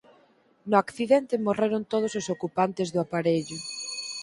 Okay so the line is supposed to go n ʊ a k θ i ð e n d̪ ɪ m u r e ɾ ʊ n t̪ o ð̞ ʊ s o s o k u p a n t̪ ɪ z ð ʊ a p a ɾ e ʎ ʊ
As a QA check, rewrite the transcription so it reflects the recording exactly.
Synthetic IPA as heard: n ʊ a k θ i ð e n t̪ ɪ m o r e ɾ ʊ n t̪ o ð̞ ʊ s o s o k u p a n t̪ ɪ z ð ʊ a p a ɾ e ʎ ʊ